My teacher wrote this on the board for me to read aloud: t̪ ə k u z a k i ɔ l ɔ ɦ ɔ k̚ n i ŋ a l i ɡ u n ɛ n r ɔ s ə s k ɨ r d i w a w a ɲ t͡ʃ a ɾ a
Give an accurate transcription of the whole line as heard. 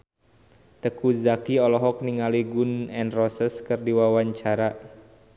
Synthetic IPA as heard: t̪ ə k u z a k i ɔ l ɔ ɦ ɔ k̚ n i ŋ a l i ɡ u n ɛ n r ɔ s ə s k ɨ r d i w a w a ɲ t͡ʃ a ɾ a

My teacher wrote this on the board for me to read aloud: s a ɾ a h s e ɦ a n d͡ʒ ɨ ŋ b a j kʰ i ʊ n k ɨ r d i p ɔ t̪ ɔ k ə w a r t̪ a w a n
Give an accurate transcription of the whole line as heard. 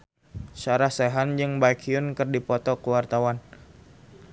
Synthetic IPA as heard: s a ɾ a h s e ɦ a n d͡ʒ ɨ ŋ b a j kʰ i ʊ n k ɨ r d i p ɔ t̪ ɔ k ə w a r t̪ a w a n

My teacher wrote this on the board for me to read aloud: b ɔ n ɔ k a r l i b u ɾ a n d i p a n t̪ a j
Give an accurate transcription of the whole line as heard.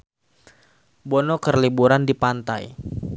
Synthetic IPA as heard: b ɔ n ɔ k ə r l i b u ɾ a n d i p a n t̪ a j

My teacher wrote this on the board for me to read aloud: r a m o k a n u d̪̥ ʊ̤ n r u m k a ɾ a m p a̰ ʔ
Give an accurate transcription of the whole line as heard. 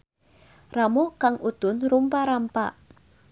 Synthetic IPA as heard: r a m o k a ŋ u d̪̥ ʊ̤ n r u m p a ɾ a m p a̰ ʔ

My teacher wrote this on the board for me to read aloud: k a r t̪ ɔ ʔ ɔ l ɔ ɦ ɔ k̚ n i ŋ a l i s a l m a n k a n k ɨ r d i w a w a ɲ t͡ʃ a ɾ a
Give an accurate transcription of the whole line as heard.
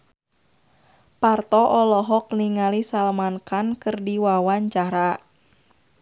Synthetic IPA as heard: p a r t̪ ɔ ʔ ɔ l ɔ ɦ ɔ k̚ n i ŋ a l i s a l m a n k a n k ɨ r d i w a w a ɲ t͡ʃ a ɾ a

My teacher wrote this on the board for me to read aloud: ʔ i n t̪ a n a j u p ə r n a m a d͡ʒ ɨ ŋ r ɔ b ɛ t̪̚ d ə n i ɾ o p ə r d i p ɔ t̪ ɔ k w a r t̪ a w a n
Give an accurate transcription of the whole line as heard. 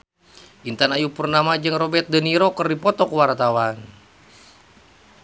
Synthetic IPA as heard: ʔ i n t̪ a n a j u p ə r n a m a d͡ʒ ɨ ŋ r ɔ b ɛ t̪̚ d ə n i ɾ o k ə r d i p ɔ t̪ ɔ k w a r t̪ a w a n

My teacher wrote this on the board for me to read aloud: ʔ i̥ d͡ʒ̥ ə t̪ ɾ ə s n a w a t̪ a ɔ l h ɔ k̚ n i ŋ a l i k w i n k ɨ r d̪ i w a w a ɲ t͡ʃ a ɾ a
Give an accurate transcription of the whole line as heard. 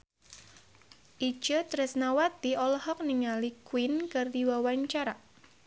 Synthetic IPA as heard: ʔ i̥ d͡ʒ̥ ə t̪ ɾ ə s n a w a t̪ i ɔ l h ɔ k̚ n i ŋ a l i k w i n k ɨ r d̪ i w a w a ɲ t͡ʃ a ɾ a

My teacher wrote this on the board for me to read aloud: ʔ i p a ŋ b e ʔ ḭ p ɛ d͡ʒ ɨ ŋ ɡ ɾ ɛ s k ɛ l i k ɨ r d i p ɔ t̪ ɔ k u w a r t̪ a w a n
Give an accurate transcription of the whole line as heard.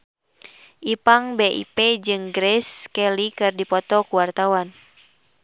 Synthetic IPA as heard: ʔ i p a ŋ b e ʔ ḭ p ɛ d͡ʒ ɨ ŋ ɡ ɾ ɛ s k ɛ l i k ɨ r d i p ɔ t̪ ɔ k u w a r t̪ a w a n

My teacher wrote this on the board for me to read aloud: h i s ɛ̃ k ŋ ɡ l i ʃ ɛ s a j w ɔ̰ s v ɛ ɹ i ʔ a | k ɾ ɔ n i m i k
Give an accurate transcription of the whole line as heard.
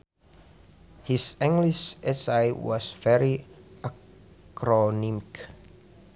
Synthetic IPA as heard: h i s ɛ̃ ŋ ɡ l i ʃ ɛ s a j w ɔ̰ s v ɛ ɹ i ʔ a | k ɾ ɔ n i m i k

